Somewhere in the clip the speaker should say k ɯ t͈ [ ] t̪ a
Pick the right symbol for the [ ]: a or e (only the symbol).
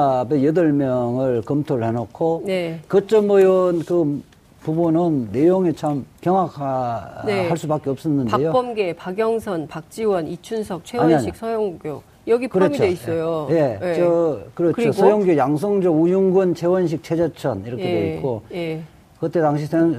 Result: e